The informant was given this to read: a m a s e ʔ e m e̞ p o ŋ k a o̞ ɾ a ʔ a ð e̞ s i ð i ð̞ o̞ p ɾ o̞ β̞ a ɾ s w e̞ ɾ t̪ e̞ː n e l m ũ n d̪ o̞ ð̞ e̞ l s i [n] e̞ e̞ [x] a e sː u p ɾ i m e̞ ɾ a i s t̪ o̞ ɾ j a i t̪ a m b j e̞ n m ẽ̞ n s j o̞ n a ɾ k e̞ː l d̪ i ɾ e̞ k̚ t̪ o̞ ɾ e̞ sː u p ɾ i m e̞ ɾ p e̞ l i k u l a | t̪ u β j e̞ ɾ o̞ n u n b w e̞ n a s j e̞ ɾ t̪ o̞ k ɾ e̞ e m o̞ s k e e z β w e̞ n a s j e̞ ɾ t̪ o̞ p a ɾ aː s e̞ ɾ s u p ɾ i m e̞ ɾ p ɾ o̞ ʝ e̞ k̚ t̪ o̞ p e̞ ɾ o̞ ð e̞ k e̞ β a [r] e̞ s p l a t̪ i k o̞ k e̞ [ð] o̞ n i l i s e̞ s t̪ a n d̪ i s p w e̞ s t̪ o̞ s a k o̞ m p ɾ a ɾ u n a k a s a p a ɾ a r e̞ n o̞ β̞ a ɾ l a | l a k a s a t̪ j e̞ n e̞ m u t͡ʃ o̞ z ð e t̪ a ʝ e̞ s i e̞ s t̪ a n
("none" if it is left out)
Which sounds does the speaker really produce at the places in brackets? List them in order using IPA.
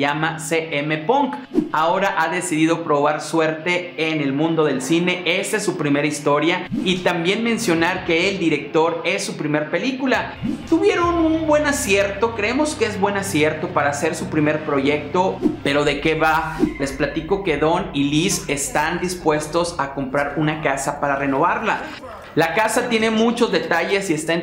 n, s, l, ð

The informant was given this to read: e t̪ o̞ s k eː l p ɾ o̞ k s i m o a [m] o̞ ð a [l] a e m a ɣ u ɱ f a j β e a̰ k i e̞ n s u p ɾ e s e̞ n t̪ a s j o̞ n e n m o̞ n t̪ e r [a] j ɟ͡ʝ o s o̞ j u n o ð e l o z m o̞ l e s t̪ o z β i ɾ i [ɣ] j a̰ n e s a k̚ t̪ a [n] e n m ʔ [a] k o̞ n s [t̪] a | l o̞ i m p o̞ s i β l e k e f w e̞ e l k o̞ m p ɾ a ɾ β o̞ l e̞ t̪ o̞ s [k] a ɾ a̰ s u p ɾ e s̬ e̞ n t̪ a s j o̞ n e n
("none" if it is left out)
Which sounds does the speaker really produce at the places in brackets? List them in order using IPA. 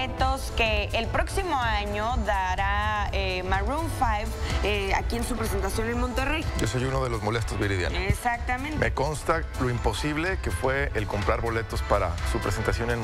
ɲ, ɾ, e, ð, m, e, t̪, p

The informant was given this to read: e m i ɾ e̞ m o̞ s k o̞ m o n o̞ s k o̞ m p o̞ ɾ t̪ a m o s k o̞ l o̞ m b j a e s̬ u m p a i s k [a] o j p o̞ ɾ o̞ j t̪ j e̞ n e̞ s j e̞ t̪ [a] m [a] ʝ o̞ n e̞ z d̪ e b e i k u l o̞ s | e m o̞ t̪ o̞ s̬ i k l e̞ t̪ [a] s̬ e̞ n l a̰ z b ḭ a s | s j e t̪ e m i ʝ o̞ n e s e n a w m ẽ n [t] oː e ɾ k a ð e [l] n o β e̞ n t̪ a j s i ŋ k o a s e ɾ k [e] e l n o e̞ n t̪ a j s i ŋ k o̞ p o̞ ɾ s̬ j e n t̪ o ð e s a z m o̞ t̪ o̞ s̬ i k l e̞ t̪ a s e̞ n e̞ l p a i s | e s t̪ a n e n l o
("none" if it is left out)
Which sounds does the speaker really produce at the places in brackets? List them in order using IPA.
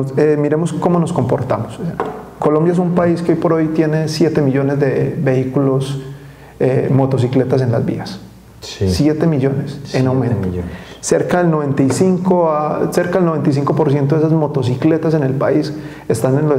e, e, i, a, t, l, a

